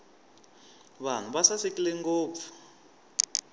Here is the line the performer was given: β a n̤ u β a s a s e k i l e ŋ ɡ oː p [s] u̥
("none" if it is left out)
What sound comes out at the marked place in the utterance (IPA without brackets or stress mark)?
f